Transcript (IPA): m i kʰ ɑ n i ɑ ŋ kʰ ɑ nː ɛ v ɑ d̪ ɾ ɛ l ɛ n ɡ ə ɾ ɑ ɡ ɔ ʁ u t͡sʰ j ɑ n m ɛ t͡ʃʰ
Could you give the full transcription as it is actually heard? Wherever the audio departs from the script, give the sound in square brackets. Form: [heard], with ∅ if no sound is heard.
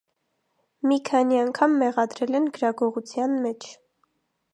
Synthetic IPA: m i kʰ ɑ n i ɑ ŋ kʰ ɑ [mː] ɛ [ʁ] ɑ d̪ ɾ ɛ l ɛ n ɡ ə ɾ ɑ ɡ ɔ ʁ u t͡sʰ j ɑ n m ɛ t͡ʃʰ